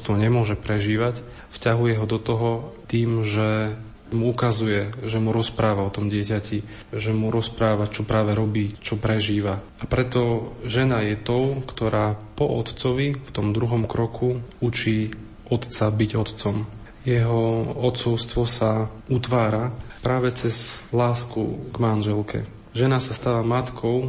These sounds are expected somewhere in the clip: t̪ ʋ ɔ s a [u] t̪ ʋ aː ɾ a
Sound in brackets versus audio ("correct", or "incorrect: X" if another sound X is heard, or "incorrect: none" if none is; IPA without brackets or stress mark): correct